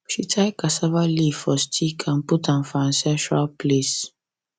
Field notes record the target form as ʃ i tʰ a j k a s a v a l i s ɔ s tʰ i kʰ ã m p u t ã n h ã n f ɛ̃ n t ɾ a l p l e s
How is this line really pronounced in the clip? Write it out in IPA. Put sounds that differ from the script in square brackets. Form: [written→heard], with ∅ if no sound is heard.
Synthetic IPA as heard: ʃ i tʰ a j k a s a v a l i [s→f] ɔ s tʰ i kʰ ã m p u t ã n [h→f] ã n [f→s] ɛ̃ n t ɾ a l p l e s